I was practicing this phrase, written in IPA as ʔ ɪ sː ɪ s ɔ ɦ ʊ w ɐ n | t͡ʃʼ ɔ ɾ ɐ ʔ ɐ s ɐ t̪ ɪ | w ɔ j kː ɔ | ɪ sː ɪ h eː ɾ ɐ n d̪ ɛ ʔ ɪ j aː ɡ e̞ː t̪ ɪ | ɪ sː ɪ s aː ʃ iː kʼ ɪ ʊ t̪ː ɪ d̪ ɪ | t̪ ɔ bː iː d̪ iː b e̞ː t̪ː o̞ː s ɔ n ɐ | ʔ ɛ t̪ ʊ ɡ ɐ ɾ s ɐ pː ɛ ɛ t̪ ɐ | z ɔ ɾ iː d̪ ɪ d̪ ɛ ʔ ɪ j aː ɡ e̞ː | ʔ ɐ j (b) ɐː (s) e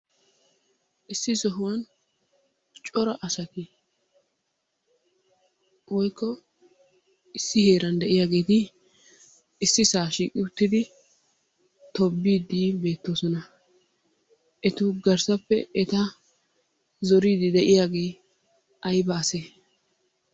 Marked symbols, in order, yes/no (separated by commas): yes, yes